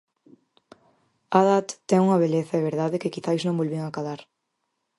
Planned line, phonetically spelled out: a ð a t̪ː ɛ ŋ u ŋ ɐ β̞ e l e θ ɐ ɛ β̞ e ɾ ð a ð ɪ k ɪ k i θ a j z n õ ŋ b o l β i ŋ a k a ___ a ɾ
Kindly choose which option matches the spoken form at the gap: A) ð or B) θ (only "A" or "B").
A